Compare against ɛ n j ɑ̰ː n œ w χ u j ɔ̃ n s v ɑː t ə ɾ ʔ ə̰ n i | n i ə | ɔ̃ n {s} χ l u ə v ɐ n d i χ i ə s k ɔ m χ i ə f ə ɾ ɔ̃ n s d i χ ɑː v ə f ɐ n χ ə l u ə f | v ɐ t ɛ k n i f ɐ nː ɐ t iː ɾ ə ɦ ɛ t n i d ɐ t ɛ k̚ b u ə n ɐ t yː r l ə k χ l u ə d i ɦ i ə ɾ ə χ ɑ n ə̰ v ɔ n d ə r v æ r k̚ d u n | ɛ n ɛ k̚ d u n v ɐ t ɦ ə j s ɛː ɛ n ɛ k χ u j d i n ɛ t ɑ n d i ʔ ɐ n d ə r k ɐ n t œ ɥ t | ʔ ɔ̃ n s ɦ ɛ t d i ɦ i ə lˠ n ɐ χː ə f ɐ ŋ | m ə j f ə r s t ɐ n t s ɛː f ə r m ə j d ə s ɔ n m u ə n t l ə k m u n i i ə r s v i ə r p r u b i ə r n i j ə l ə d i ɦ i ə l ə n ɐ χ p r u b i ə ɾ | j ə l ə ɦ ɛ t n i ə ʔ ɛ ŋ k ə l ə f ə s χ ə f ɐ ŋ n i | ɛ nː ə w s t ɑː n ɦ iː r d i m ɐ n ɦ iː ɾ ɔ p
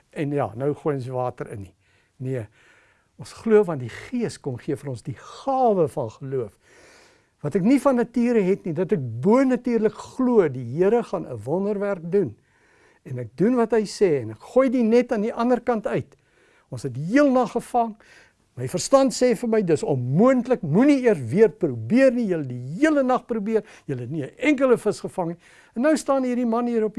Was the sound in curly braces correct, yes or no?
yes